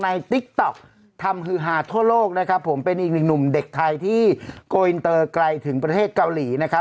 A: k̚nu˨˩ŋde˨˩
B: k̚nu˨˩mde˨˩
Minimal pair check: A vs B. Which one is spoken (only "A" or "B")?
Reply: B